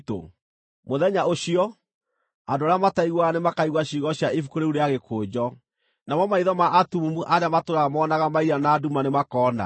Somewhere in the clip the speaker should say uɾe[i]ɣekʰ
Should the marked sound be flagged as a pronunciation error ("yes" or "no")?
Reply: yes